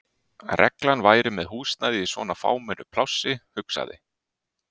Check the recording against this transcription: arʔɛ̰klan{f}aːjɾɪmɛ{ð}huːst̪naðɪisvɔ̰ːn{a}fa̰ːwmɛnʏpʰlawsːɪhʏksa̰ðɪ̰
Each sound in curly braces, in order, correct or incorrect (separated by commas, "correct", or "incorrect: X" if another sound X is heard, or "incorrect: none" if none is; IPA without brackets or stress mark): incorrect: v, correct, correct